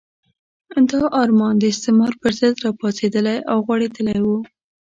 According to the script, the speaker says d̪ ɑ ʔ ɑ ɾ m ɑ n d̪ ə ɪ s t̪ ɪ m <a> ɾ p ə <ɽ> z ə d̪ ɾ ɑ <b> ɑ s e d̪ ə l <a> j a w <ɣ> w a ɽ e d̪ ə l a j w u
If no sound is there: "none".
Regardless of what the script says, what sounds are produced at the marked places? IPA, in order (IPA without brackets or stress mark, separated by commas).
ɑ, ɾ, p, a, ɣ